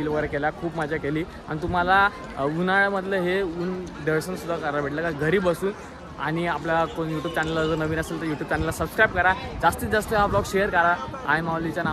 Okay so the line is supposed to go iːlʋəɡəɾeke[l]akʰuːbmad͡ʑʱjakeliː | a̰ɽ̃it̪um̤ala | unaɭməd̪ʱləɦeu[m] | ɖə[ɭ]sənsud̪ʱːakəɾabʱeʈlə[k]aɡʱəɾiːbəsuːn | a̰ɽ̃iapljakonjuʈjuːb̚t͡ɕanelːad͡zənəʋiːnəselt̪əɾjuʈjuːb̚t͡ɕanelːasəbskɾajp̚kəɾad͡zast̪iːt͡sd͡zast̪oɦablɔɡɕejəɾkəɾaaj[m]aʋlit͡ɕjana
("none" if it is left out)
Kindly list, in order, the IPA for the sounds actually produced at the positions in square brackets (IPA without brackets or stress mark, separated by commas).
l, n, ɾ, k, m